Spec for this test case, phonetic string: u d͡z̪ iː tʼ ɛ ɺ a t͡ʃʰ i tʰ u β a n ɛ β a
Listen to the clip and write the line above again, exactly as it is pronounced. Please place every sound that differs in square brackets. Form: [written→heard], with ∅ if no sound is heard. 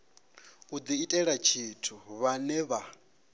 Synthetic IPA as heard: u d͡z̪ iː tʼ ɛ ɺ a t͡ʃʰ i tʰ u β a n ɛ β a